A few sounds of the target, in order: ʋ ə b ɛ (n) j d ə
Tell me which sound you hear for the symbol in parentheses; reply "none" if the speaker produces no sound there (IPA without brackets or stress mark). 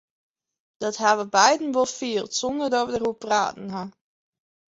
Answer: none